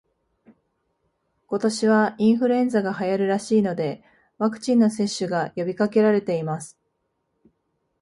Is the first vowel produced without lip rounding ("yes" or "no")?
no